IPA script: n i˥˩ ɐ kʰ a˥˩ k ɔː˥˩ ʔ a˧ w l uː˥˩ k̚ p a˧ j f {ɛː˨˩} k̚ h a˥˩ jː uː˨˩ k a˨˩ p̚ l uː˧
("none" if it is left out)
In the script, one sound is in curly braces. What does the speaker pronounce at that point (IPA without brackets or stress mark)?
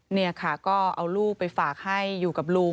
aː˨˩